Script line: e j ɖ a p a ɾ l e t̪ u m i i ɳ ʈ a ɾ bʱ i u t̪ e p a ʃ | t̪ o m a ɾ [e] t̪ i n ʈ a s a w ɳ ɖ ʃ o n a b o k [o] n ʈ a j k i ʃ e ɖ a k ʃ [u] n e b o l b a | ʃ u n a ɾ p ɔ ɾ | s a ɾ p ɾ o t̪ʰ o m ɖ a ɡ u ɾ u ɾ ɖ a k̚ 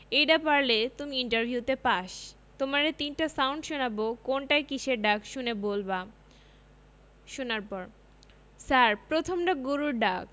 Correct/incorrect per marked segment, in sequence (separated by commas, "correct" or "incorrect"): correct, correct, correct